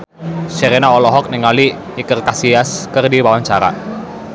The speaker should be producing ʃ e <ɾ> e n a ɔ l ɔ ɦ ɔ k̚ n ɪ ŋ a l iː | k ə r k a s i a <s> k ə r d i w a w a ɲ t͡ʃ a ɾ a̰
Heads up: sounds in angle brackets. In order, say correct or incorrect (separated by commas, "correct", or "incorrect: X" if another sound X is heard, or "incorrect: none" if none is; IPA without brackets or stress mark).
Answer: correct, correct